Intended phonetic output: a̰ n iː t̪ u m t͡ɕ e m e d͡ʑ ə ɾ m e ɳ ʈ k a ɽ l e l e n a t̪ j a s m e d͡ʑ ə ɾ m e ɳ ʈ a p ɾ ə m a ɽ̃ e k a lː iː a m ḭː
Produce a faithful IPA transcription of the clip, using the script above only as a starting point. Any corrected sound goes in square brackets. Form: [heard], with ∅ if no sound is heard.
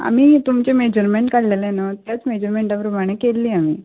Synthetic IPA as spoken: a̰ [m] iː t̪ u m t͡ɕ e m e d͡ʑ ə ɾ m e ɳ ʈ k a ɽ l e l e n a t̪ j a [t͡s] m e d͡ʑ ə ɾ m e ɳ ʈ a p ɾ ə m a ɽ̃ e k [e] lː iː a m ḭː